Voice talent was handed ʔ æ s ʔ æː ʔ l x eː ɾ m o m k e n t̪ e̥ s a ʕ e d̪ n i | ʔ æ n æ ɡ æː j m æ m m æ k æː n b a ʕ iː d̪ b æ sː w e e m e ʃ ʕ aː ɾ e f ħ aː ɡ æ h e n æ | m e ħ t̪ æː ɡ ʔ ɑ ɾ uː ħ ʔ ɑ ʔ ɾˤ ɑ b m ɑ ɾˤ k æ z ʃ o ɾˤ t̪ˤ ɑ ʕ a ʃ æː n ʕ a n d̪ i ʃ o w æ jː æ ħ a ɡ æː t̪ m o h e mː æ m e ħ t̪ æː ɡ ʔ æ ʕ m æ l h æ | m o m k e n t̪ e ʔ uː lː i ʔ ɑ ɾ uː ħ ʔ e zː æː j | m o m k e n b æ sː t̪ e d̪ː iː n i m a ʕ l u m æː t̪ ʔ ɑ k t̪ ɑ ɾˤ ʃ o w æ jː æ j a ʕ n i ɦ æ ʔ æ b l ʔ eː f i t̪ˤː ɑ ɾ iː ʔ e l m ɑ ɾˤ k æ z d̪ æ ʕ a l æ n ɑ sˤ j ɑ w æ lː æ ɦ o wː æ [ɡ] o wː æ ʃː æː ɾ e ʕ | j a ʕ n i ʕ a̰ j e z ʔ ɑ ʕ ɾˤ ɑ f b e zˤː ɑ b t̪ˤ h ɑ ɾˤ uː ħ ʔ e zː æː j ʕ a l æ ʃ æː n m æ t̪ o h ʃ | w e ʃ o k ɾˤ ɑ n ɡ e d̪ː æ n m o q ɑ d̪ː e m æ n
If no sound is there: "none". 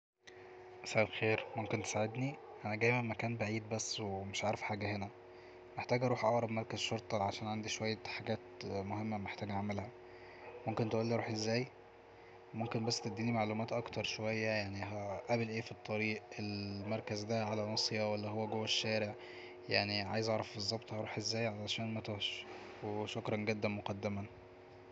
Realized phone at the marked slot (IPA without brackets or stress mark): ɡ